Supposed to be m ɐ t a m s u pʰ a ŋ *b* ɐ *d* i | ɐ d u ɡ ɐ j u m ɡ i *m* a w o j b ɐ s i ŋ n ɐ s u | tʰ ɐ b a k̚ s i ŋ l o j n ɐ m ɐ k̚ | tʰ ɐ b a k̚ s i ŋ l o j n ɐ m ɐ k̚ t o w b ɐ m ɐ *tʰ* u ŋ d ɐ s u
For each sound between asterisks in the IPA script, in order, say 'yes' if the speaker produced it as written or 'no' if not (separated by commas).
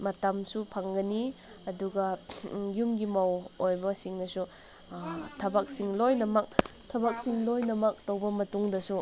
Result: no, no, yes, no